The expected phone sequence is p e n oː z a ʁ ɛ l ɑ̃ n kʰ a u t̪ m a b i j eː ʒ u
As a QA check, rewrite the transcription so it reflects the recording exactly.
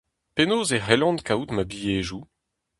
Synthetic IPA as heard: p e n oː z e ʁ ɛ l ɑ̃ n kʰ a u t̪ m a b i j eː ʒ u